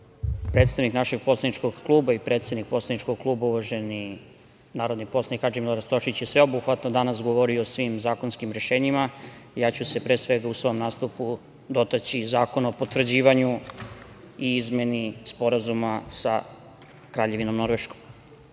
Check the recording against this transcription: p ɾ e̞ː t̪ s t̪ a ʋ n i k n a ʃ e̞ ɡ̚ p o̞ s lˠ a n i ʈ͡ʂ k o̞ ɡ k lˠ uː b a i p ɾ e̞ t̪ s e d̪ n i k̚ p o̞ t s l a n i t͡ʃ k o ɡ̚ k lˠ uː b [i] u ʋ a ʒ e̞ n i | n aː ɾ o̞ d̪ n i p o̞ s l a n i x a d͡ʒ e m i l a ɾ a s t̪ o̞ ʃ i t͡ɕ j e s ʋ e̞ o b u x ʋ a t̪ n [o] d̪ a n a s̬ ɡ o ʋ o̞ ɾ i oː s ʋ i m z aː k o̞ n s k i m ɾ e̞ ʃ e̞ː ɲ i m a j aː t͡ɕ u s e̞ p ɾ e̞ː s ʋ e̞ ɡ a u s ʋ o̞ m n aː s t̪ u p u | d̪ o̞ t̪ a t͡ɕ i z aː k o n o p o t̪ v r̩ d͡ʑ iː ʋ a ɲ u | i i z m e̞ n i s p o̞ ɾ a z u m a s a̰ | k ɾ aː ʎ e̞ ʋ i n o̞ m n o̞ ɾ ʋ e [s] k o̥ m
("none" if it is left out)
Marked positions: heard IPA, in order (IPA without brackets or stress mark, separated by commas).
a, o, ʃ